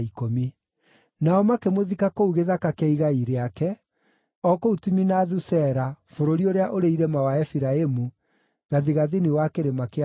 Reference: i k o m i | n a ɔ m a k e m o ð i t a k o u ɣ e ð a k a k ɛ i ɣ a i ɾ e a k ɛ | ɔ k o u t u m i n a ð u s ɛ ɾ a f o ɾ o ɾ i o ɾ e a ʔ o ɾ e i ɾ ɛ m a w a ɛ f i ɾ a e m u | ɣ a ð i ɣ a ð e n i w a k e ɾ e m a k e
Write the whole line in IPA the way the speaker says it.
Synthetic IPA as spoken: i k o m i | n a ɔ m a k e m o ð i k a k o u ɣ e ð a k a k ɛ i ɣ a i ɾ e a k ɛ | ɔ k o u t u m i n a ð u s ɛ ɾ a f o ɾ o ɾ i o ɾ e a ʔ o ɾ e i ɾ ɛ m a w a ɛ f i ɾ a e m u | ɣ a ð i ɣ a ð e n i w a k e ɾ e m a k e